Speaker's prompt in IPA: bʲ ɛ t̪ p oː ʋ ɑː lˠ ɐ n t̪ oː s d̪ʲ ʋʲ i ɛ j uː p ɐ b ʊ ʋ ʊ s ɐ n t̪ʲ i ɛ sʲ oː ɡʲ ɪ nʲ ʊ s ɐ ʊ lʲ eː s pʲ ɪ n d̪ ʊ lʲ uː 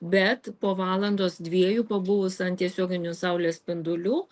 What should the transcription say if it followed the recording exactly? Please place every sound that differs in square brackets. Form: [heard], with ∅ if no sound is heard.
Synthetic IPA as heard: bʲ ɛ t̪ p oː ʋ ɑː lˠ ɐ n [d̪] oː s d̪ʲ ʋʲ i ɛ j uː p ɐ b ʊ ʋ ʊ s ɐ n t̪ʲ i ɛ sʲ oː ɡʲ ɪ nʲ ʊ s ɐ ʊ lʲ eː s pʲ ɪ n d̪ ʊ lʲ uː